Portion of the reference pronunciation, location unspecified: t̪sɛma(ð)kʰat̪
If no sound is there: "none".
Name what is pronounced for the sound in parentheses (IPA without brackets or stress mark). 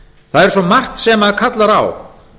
ð